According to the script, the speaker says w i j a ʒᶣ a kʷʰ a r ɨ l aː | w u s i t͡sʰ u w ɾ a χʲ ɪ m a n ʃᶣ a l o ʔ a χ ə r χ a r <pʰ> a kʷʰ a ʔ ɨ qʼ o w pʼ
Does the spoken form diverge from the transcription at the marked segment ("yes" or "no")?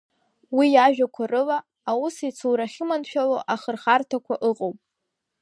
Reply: yes